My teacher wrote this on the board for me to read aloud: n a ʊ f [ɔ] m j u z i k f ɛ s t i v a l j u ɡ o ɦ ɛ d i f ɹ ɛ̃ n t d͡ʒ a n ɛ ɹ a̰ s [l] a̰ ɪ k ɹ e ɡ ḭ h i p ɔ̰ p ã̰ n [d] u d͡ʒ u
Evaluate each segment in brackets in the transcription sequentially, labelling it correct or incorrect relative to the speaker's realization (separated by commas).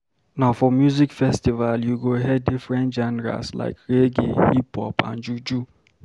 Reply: correct, correct, incorrect